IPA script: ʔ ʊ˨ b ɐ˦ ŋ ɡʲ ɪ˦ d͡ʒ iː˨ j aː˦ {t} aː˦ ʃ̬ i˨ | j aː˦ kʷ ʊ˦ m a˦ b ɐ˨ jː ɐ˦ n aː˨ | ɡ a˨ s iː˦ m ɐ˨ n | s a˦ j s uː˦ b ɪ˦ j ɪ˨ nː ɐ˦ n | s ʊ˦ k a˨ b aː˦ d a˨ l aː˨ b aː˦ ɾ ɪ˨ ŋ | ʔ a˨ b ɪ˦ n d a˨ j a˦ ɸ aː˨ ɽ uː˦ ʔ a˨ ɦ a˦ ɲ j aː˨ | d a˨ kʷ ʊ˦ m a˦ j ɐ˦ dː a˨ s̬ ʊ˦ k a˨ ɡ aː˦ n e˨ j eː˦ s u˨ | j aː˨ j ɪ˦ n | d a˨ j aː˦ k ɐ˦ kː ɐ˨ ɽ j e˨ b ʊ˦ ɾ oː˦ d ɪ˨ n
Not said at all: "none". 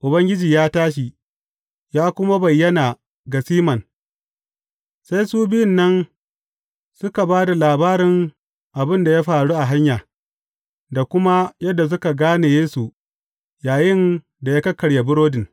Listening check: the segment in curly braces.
t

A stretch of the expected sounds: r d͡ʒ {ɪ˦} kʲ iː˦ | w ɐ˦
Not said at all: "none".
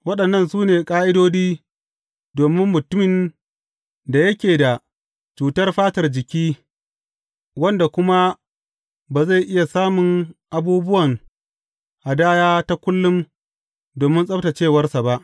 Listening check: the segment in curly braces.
ɪ˨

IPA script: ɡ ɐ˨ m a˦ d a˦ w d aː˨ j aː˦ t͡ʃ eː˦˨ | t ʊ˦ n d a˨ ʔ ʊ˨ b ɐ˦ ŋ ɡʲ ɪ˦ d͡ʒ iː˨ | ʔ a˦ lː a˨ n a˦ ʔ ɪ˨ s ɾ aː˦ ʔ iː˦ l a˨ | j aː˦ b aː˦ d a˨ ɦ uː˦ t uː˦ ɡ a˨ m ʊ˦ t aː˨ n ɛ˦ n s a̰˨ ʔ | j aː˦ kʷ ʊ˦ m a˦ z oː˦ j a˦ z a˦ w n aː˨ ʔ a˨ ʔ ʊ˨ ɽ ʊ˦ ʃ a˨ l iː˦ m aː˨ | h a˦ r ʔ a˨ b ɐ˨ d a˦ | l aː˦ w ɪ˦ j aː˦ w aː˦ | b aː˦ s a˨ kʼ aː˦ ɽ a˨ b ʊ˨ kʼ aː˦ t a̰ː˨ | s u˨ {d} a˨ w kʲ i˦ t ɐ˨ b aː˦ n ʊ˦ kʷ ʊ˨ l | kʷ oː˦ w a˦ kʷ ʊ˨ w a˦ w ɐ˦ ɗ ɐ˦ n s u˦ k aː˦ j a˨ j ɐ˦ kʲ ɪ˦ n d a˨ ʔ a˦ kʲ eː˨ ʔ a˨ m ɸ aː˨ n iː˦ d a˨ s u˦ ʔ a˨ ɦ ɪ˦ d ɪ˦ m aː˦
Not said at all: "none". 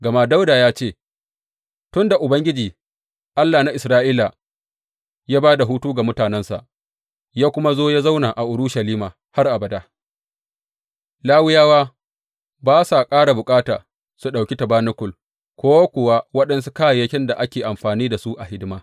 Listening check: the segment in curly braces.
ɗ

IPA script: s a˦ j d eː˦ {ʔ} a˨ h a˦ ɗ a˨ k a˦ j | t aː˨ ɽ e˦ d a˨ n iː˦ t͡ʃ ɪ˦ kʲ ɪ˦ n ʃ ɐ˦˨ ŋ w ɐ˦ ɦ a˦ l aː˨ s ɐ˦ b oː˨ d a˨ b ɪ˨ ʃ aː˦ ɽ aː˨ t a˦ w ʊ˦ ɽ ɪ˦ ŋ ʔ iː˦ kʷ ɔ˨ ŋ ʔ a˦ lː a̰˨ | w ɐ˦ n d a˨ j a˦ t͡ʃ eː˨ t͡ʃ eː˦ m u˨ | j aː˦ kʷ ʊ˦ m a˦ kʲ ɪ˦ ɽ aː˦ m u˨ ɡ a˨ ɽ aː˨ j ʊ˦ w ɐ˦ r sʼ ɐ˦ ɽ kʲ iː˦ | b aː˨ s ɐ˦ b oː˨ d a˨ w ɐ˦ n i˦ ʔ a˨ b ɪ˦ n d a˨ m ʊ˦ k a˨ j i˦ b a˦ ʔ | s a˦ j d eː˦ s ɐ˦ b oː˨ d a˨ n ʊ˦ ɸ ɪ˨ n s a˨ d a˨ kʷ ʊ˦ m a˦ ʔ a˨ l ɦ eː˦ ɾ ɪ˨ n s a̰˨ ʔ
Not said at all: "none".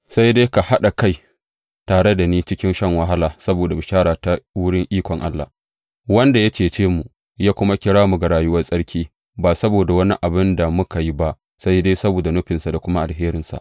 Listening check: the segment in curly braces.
k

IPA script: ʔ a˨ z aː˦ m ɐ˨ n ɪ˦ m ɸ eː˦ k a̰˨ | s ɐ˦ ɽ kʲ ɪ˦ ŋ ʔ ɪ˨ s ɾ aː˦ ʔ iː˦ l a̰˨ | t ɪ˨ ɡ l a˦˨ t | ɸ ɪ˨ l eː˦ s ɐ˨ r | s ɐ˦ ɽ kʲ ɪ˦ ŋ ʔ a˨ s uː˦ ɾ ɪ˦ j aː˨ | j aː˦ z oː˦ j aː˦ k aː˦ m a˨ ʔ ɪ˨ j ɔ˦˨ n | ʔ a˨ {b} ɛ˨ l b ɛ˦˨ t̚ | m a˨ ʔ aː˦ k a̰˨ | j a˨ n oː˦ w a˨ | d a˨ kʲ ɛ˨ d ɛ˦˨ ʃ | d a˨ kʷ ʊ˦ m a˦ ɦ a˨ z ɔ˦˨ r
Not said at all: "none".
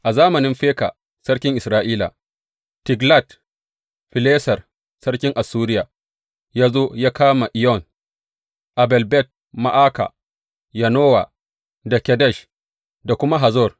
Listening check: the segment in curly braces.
b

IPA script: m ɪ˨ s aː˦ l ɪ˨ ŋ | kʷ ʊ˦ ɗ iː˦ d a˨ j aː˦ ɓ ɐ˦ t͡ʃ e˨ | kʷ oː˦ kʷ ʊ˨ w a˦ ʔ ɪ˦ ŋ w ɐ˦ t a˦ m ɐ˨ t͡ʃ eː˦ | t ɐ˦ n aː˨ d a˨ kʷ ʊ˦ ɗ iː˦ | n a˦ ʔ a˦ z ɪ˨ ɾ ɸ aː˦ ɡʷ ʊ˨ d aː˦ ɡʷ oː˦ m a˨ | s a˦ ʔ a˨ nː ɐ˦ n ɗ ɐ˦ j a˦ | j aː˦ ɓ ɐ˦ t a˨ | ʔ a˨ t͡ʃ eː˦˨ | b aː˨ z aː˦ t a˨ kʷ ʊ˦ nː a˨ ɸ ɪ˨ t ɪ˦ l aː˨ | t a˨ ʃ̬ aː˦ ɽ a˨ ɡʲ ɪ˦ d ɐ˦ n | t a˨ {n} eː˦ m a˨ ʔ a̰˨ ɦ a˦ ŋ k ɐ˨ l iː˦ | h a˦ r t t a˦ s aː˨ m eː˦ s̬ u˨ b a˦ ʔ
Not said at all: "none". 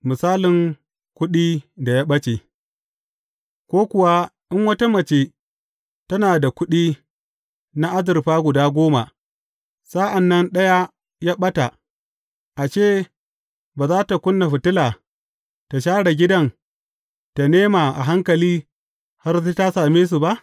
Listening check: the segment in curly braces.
n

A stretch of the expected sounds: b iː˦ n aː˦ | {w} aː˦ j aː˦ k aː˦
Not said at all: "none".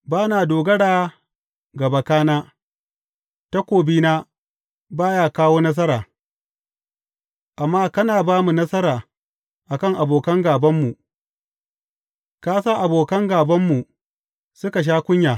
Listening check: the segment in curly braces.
b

